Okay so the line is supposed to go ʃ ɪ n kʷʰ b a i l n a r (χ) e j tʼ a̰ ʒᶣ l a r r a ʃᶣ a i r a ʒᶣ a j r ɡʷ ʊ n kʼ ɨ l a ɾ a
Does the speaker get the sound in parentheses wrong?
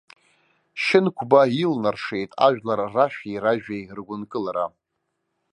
yes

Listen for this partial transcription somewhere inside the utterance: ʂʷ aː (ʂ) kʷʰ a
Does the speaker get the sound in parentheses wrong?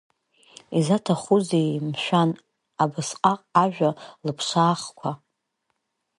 yes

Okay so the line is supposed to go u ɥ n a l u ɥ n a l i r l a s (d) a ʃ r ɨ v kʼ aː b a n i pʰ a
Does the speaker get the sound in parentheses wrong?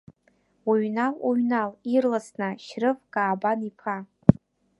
yes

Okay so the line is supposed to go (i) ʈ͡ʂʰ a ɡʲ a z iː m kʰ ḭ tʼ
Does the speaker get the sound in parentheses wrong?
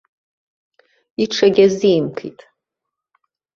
no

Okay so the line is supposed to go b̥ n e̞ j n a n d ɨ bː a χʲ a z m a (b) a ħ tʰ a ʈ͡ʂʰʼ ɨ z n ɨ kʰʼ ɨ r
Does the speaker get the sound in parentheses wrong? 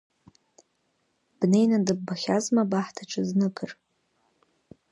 no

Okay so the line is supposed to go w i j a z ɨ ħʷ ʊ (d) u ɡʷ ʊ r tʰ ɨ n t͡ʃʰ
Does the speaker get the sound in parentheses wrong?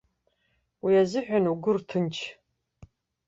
yes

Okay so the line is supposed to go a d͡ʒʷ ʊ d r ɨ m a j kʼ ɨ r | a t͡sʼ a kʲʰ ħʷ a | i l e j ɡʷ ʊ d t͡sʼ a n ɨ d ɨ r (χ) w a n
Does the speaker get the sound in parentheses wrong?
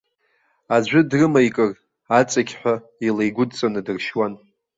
yes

